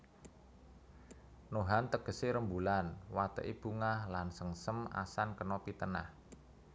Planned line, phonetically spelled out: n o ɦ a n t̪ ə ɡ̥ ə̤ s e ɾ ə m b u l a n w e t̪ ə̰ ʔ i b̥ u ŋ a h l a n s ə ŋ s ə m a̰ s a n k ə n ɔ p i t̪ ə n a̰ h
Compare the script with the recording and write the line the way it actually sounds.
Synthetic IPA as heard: n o ɦ a n t̪ ə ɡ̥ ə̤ s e ɾ ə m b u l a n w a t̪ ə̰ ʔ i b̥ u ŋ a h l a n s ə ŋ s ə m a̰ s a n k ə n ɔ p i t̪ ə n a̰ h